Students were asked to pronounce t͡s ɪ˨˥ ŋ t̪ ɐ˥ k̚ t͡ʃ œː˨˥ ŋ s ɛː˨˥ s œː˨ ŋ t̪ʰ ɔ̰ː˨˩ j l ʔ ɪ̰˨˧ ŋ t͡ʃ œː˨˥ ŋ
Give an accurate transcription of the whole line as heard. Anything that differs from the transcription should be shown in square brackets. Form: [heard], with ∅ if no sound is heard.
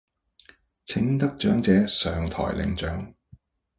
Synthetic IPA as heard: [t͡sʰ] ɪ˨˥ ŋ t̪ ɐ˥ k̚ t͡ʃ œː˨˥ ŋ [t͡s] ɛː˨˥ s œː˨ ŋ t̪ʰ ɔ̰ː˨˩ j l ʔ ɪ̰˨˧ ŋ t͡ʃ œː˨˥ ŋ

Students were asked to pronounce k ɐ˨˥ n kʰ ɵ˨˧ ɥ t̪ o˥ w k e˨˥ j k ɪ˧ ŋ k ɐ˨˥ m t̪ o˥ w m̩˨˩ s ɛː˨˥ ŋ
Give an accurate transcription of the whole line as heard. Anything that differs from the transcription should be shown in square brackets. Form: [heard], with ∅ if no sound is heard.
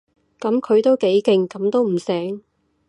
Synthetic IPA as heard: k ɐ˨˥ [m] kʰ ɵ˨˧ ɥ t̪ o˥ w k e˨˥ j k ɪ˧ ŋ k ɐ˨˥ m t̪ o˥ w m̩˨˩ s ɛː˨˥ ŋ

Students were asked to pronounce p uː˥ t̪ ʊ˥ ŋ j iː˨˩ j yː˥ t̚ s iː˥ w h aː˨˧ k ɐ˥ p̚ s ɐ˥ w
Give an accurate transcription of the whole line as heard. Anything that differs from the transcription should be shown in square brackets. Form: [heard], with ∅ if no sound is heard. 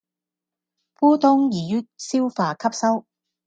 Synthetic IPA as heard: p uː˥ t̪ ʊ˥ ŋ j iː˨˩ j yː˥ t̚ s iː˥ w [f] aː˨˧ [kʰ] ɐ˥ p̚ s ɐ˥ w

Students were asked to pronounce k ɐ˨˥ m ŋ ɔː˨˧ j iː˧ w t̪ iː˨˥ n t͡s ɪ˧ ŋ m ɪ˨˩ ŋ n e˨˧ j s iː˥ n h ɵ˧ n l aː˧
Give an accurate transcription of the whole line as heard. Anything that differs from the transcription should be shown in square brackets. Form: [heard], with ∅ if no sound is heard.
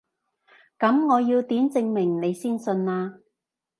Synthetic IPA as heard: k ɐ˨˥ m ŋ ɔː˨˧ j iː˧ w t̪ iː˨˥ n t͡s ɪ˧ ŋ m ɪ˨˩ ŋ n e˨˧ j s iː˥ n [s] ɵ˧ n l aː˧

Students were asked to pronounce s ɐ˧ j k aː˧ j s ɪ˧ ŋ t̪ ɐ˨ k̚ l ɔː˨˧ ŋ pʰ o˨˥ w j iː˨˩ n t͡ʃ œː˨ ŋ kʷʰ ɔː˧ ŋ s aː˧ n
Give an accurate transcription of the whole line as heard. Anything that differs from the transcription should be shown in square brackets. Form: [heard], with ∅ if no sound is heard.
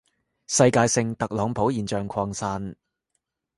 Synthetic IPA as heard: s ɐ˧ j k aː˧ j s ɪ˧ ŋ t̪ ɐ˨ k̚ l ɔː˨˧ ŋ pʰ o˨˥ w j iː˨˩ n t͡ʃ œː˨ ŋ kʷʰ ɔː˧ ŋ s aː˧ n

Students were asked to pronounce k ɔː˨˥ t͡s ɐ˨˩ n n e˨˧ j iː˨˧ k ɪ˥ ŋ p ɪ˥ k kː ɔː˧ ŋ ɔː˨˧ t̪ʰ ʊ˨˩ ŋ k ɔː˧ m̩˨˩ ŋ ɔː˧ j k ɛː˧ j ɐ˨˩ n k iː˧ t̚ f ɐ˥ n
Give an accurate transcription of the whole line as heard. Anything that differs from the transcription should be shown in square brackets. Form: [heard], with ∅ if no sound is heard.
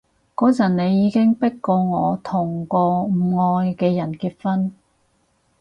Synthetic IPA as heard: k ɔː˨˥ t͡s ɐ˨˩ n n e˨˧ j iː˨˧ k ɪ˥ ŋ p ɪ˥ k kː ɔː˧ ŋ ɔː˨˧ t̪ʰ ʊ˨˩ ŋ k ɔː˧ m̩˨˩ ŋ ɔː˧ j k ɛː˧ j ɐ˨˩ n k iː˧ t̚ f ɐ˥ n

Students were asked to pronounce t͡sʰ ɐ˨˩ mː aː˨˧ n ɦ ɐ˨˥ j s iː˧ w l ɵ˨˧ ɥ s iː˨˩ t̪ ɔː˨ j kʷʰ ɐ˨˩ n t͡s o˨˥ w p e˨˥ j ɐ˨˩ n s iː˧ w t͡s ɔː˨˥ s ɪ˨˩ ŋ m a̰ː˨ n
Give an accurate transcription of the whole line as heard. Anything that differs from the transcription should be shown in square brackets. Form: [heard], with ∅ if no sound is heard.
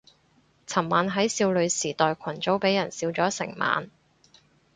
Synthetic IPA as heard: t͡sʰ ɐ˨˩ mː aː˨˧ n ɦ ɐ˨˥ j s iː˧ w l ɵ˨˧ ɥ s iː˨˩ t̪ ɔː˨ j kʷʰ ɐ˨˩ n t͡s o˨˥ w p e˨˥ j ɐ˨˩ n s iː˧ w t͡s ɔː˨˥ s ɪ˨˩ ŋ m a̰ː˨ n

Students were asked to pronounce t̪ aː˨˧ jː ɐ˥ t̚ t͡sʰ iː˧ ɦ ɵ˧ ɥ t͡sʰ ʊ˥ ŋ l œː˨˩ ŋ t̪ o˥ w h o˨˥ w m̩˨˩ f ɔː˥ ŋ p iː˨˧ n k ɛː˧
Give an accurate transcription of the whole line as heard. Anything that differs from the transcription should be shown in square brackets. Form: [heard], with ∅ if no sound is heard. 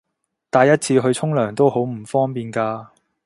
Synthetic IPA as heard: t̪ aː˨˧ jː ɐ˥ t̚ t͡sʰ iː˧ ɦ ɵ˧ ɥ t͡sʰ ʊ˥ ŋ l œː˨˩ ŋ t̪ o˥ w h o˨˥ w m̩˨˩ f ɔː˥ ŋ p iː˨˧ n k [aː˧]

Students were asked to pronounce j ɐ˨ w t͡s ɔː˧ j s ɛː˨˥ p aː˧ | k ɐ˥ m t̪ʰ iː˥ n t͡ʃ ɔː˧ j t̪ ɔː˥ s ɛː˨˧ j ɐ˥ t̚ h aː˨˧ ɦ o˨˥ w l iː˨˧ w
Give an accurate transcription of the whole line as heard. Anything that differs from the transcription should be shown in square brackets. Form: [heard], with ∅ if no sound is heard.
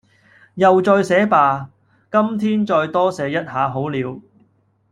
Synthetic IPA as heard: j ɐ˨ w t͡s ɔː˧ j s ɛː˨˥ p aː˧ | k ɐ˥ m t̪ʰ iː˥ n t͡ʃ ɔː˧ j t̪ ɔː˥ s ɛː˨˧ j ɐ˥ t̚ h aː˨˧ ɦ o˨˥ w l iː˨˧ w

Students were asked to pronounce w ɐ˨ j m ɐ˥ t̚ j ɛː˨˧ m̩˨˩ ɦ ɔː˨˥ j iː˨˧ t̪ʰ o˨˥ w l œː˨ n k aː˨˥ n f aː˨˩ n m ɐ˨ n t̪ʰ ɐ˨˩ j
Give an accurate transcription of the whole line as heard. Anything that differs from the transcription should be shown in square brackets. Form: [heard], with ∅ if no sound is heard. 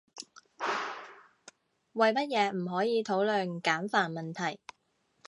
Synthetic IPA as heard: w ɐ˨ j m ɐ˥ t̚ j ɛː˨˧ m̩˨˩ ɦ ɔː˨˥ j iː˨˧ t̪ʰ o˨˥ w l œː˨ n k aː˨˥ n f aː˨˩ n m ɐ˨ n t̪ʰ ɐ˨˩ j

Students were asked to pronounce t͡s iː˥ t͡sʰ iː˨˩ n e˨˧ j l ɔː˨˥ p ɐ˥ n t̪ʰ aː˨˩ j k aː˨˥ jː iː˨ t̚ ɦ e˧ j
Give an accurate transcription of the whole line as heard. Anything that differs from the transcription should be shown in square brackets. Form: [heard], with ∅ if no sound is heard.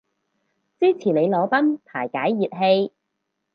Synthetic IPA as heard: t͡s iː˥ t͡sʰ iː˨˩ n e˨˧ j l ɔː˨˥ p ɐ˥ n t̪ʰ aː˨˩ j k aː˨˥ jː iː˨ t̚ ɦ e˧ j

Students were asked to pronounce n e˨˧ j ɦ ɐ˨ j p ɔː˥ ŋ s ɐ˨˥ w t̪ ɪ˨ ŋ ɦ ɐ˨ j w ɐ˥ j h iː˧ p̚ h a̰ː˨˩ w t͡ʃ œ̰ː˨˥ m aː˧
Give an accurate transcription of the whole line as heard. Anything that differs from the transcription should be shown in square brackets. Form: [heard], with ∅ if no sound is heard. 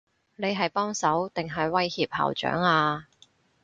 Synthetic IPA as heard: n e˨˧ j ɦ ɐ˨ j p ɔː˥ ŋ s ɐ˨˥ w t̪ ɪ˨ ŋ ɦ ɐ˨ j w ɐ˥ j h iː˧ p̚ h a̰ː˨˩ w t͡ʃ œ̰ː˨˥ [ŋ] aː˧

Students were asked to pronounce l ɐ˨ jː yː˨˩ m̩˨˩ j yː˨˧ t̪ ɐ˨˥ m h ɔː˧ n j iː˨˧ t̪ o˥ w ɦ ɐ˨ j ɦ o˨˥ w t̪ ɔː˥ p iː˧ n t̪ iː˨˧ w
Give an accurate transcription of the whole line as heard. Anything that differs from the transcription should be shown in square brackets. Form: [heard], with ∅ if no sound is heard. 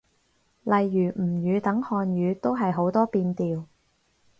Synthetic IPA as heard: l ɐ˨ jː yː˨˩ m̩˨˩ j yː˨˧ t̪ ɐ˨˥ [ŋ] h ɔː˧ n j [yː˨˧] t̪ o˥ w ɦ ɐ˨ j ɦ o˨˥ w t̪ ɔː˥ p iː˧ n t̪ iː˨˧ w

